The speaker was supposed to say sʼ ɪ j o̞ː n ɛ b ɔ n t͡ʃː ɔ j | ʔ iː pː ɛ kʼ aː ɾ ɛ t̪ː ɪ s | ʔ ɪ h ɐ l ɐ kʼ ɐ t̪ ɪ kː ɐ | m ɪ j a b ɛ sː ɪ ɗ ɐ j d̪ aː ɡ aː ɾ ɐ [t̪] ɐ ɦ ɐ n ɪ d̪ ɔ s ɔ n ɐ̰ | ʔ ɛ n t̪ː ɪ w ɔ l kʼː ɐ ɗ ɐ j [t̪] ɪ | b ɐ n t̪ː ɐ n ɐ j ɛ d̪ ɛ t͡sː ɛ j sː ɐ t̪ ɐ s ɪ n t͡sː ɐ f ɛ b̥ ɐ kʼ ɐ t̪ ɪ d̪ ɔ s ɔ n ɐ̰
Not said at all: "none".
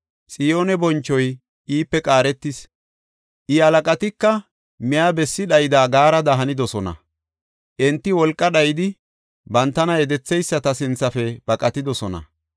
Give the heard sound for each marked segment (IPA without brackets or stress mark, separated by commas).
d̪, d̪